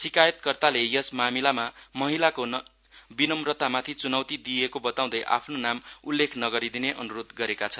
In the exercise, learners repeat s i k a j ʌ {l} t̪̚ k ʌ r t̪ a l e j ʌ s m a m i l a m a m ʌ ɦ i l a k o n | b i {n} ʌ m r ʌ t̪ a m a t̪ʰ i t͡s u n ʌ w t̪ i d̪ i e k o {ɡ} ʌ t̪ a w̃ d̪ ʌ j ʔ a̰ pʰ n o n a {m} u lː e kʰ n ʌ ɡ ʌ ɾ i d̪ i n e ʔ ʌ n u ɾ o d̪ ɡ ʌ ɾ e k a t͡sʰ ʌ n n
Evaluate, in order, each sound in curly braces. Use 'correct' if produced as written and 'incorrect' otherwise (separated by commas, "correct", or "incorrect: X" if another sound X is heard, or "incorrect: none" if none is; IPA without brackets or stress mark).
incorrect: none, correct, incorrect: b, correct